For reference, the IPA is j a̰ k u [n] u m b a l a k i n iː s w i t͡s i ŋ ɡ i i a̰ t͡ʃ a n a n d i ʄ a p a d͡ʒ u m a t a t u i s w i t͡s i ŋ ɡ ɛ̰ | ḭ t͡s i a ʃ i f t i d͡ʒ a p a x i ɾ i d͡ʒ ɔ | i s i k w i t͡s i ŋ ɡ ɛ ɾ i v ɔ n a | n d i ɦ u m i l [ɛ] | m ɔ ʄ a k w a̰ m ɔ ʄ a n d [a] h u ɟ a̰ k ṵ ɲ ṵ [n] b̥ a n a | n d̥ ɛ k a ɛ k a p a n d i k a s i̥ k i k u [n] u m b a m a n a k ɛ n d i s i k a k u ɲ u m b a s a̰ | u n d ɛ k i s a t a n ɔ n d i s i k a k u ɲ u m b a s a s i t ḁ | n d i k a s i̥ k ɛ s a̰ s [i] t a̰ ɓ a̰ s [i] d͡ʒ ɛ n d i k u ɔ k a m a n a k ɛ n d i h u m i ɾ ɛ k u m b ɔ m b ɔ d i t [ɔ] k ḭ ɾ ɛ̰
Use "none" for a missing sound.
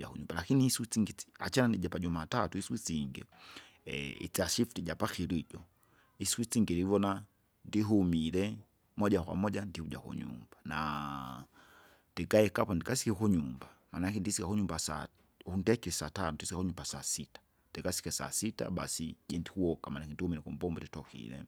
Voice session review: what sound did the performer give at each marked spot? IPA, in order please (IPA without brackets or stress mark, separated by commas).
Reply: ɲ, ɛ, i, m, ɲ, i, i, ɔ